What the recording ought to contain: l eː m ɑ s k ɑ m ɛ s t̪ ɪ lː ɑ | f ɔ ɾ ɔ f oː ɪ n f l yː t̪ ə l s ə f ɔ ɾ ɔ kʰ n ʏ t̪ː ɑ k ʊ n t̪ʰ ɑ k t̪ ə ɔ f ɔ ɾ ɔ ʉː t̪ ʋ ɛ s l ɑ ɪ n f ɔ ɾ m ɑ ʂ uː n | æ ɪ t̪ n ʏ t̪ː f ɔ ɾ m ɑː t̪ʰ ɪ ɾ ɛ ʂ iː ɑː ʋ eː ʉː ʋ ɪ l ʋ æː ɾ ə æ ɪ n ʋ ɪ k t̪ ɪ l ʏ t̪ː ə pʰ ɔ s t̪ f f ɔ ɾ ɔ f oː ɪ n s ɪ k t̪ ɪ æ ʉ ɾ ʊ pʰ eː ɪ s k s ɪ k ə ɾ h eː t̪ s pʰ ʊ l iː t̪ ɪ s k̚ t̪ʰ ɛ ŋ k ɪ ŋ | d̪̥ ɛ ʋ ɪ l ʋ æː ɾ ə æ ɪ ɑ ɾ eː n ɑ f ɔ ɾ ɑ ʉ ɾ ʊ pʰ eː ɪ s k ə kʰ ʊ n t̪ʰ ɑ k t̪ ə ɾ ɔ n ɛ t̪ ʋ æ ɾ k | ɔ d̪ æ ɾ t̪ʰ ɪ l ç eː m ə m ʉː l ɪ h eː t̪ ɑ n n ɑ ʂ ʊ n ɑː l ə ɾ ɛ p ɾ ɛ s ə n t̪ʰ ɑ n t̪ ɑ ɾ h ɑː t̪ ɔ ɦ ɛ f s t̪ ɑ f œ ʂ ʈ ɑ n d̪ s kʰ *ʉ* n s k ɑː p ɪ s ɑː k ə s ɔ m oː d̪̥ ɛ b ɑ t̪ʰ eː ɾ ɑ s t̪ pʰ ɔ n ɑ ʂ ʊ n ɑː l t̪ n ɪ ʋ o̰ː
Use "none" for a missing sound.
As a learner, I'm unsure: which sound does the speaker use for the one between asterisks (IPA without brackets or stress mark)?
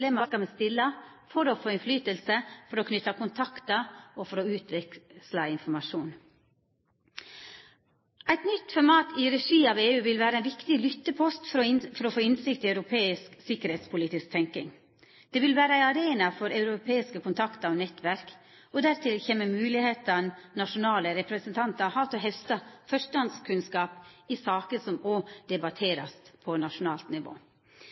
ʉ